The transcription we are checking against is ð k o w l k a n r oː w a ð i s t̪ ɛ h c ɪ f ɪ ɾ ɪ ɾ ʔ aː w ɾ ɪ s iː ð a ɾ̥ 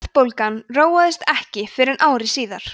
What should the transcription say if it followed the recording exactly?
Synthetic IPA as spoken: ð p o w l k a n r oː w a ð ɪ s t̪ ɛ h c ɪ f ɪ ɾ ɪ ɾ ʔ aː w ɾ ɪ s iː ð a ɾ̥